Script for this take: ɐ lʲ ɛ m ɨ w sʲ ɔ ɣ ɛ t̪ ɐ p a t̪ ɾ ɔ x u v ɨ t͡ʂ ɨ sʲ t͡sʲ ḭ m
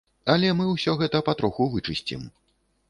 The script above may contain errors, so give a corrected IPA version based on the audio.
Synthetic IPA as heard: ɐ lʲ ɛ m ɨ w sʲ ɔ ɣ ɛ t̪ ɐ p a t̪ ɾ ɔ x u v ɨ t͡ʂ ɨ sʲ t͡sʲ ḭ m